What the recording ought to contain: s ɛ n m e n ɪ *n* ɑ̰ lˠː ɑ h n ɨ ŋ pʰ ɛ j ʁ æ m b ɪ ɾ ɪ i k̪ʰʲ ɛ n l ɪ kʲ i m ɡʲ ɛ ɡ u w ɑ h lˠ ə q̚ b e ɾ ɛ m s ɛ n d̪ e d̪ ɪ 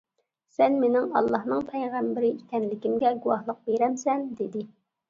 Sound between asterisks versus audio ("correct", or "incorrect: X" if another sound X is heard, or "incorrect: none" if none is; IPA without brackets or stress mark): incorrect: ŋ